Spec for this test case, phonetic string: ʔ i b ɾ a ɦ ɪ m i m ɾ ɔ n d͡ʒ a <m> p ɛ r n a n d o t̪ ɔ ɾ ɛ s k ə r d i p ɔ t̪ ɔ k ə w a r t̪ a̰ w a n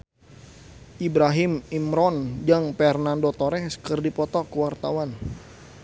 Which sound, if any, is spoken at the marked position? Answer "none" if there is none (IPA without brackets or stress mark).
ŋ